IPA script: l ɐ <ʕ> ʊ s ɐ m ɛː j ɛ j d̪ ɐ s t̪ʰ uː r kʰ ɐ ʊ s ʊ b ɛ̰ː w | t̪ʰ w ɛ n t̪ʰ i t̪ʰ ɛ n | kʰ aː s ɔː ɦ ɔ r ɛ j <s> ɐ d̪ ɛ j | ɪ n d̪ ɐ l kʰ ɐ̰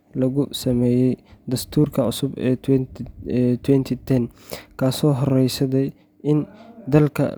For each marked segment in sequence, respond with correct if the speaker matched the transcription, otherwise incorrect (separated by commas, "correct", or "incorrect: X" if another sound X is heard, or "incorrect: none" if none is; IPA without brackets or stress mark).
incorrect: ɣ, correct